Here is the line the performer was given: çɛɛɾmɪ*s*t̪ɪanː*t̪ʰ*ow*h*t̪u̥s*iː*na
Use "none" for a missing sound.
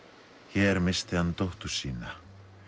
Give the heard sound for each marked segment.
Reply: s, t̪, h, iː

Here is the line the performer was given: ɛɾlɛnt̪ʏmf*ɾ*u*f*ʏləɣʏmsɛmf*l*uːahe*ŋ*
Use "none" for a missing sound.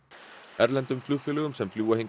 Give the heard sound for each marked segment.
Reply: l, f, l, ŋ

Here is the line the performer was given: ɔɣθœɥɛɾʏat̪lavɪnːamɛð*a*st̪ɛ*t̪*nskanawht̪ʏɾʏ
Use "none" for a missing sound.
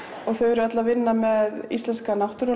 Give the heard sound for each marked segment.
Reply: i, none

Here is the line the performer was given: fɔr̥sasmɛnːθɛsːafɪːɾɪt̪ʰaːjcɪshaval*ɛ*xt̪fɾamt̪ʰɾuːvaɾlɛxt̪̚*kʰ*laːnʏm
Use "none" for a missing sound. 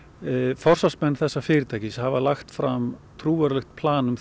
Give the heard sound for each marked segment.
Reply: a, pʰ

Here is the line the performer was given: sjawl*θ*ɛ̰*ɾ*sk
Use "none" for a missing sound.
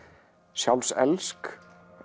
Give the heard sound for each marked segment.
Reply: s, l

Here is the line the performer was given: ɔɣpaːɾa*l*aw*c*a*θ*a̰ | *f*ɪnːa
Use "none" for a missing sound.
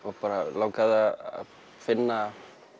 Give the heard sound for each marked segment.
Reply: l, k, ð, f

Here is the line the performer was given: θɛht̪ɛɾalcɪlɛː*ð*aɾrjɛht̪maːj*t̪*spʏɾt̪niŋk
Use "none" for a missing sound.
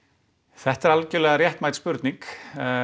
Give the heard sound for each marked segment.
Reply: ɣ, t̪

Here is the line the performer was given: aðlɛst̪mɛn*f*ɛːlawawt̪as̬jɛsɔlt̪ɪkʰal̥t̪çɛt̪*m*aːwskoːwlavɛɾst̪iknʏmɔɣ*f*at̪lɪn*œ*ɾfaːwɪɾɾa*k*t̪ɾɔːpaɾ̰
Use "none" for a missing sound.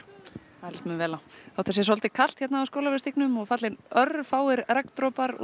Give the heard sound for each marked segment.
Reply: v, n, f, œ, k

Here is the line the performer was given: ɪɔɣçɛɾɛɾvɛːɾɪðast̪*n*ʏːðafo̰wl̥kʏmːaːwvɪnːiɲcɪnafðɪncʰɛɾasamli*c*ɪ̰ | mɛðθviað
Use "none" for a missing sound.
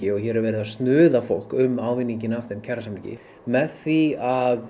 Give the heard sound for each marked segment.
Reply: n, c

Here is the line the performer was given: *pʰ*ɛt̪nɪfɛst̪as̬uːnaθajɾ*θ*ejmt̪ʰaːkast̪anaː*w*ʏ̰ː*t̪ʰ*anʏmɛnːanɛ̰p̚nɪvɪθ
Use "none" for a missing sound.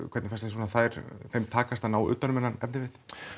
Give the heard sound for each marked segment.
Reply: kʰ, θ, w, t̪

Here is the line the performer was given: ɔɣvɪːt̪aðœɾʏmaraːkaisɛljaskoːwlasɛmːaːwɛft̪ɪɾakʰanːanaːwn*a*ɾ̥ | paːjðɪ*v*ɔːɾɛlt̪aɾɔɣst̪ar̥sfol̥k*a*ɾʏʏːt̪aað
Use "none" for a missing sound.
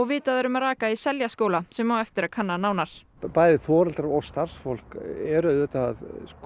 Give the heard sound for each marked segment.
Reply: a, f, ɛ

